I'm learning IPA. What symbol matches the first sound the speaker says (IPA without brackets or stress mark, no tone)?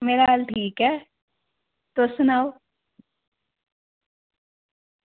m